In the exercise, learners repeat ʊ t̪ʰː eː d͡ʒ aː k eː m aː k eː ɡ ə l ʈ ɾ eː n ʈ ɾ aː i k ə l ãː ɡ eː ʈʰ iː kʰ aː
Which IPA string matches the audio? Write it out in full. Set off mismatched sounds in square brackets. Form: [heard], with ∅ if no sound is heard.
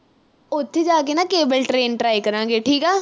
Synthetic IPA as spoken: ʊ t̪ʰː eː d͡ʒ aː k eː [n] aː k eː [b] ə l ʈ ɾ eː n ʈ ɾ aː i k ə [ɾ] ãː ɡ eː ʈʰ iː [k] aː